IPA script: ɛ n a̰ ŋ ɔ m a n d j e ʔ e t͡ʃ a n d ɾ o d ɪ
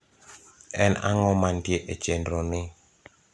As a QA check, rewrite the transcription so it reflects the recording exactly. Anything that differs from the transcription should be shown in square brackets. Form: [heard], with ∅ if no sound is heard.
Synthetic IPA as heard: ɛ n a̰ ŋ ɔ m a n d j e ʔ e t͡ʃ [e] n d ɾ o [n] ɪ

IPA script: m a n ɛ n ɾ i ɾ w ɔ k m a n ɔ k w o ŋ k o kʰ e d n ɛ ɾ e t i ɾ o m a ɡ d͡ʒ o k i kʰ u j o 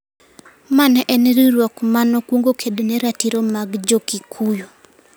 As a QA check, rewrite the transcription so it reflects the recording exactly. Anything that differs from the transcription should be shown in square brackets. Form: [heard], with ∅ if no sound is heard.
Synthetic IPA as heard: m a n ɛ n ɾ i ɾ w ɔ k m a n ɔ k w o ŋ [ɡ] o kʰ e d n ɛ ɾ [a] t i ɾ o m a ɡ d͡ʒ o k i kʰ u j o

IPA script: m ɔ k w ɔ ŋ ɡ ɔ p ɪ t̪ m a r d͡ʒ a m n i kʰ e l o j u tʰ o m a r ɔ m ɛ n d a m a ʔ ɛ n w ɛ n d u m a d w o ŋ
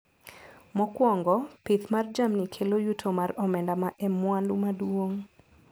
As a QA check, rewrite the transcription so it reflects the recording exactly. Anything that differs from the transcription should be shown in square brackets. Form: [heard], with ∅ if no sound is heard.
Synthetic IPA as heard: m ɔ k w ɔ ŋ ɡ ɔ p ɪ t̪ m a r d͡ʒ a m n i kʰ e l o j u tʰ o m a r ɔ m ɛ n d a m a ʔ ɛ [m] w [a] n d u m a d w o ŋ

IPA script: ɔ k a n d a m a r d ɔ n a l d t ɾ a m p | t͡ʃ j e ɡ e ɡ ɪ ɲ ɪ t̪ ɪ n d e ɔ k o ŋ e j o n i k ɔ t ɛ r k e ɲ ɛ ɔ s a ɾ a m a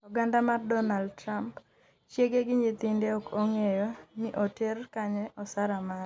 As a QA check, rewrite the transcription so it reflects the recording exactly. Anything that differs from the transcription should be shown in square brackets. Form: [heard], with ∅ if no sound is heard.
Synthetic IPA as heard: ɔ [ɡ] a n d a m a r d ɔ n a l d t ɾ a m p | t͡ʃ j e ɡ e ɡ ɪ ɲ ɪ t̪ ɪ n d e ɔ k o ŋ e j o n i [ʔ] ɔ t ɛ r k [a] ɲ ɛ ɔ s a ɾ a m a

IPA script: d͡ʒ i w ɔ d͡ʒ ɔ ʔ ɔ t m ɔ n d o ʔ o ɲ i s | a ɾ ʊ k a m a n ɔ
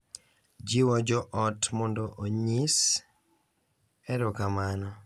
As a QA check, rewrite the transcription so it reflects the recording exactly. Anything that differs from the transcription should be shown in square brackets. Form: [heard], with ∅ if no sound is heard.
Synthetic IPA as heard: d͡ʒ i w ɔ d͡ʒ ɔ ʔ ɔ t m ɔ n d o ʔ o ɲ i s | [ɛ] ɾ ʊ k a m a n ɔ

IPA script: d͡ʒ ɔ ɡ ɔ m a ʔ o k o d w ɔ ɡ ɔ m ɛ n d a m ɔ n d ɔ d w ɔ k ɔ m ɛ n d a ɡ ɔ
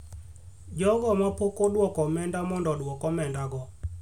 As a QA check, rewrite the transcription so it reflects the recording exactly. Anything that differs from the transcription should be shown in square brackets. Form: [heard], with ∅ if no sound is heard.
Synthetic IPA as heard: d͡ʒ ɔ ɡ ɔ m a [p] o k o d w ɔ [k] ɔ m ɛ n d a m ɔ n d ɔ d w ɔ k ɔ m ɛ n d a ɡ ɔ

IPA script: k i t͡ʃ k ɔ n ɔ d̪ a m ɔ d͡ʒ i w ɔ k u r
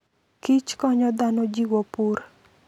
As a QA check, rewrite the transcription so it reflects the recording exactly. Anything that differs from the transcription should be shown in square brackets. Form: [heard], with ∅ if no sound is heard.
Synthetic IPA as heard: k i t͡ʃ k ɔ [ɲ] ɔ d̪ a [n] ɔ d͡ʒ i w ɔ [p] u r

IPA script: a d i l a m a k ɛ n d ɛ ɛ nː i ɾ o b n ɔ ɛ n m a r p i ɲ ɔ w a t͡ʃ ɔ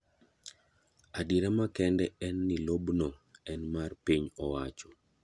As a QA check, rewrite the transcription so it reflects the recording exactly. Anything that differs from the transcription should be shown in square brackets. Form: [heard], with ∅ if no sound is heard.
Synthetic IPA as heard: a d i [ɾ] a m a k ɛ n d ɛ ɛ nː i [l] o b n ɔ ɛ n m a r p i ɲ ɔ w a t͡ʃ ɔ

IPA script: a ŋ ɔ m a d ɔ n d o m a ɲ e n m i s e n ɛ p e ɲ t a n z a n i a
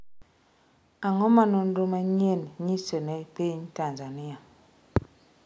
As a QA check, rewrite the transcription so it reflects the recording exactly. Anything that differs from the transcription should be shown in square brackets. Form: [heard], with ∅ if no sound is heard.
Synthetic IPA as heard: a ŋ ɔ m a [n] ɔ n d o m a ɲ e n [ɲ] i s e n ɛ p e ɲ t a n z a n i a

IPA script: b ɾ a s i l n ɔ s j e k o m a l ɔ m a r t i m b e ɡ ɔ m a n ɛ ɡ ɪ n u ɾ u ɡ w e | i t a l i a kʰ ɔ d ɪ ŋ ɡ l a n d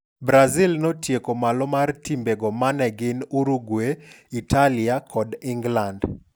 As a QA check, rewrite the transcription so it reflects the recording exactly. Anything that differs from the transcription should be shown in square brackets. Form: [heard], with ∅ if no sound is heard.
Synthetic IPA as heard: b ɾ a [z] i l n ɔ [t] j e k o m a l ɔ m a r t i m b e ɡ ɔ m a n ɛ ɡ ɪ n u ɾ u ɡ w e | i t a l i a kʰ ɔ d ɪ ŋ ɡ l a n d

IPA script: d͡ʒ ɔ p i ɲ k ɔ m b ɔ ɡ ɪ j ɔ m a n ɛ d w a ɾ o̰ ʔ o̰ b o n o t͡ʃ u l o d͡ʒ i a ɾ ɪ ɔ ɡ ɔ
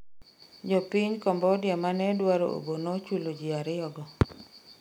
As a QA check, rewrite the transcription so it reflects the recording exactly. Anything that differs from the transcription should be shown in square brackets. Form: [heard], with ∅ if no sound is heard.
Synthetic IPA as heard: d͡ʒ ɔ p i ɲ k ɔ m b ɔ [d] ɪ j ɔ m a n ɛ d w a ɾ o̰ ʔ o̰ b o n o t͡ʃ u l o d͡ʒ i a ɾ ɪ ɔ ɡ ɔ

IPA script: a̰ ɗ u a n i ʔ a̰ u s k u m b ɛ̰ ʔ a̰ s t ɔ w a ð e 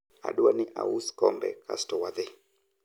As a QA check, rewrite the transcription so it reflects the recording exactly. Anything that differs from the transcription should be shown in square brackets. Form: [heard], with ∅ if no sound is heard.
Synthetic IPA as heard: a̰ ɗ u a n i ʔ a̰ u s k [ɔ] m b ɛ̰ [k] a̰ s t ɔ w a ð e

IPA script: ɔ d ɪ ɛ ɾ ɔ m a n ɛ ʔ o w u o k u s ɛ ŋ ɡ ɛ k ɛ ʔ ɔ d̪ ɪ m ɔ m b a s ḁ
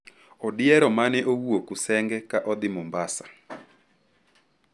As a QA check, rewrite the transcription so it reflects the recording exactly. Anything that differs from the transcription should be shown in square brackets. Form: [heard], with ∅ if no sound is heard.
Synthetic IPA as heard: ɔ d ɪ ɛ ɾ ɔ m a n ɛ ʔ o w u o k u s ɛ ŋ ɡ ɛ k [a] ʔ ɔ d̪ ɪ m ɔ m b a s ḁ

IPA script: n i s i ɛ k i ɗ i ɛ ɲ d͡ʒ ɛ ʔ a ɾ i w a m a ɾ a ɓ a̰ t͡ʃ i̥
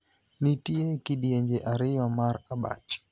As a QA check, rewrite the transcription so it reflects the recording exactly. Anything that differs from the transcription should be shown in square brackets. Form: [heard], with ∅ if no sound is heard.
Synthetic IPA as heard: n i [t] i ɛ k i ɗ i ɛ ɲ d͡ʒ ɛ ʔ a ɾ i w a m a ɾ a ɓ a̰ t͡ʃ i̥

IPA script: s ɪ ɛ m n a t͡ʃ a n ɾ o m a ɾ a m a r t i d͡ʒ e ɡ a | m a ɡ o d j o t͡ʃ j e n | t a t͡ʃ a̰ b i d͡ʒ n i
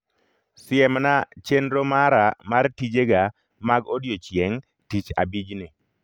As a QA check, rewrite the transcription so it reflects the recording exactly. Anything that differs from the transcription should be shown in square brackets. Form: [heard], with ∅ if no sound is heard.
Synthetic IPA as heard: s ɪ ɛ m n a t͡ʃ [e] n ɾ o m a ɾ a m a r t i d͡ʒ e ɡ a | m a ɡ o d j o t͡ʃ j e [ŋ] | t [i] t͡ʃ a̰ b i d͡ʒ n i

